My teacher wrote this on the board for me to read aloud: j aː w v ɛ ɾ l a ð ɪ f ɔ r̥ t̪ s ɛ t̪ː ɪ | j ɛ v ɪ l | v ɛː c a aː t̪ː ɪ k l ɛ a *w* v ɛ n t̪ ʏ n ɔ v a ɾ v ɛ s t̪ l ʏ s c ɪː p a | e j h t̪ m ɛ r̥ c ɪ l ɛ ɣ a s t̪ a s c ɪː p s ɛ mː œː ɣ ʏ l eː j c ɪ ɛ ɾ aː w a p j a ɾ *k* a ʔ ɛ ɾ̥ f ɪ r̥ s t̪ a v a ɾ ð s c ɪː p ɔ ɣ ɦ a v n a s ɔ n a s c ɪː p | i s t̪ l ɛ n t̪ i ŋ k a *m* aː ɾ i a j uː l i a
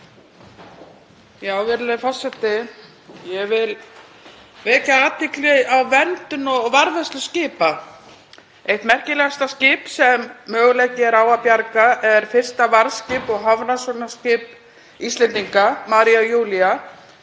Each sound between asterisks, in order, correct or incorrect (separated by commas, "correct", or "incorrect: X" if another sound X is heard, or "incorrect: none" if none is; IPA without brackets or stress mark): correct, correct, correct